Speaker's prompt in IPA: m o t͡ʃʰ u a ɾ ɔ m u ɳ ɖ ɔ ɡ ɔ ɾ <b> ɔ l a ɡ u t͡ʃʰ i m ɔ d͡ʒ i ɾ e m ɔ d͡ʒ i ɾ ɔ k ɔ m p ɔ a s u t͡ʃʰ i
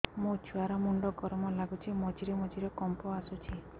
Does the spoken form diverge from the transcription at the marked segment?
yes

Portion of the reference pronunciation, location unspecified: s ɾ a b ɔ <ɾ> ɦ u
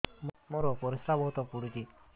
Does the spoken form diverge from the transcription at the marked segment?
yes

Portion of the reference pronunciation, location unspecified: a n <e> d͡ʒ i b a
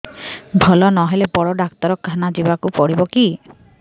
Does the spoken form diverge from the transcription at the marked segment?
yes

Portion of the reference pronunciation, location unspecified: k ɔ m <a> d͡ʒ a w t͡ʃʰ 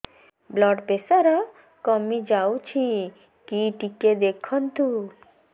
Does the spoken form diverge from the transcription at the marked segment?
yes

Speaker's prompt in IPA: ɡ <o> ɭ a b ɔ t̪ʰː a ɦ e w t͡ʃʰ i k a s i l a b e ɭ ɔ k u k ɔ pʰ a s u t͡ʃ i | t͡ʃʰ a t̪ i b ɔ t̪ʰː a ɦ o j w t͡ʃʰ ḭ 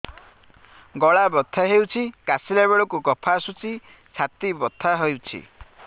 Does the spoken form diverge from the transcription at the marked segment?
yes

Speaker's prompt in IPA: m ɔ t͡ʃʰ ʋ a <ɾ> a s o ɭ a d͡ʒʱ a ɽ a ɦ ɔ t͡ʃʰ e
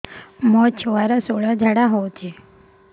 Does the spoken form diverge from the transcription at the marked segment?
no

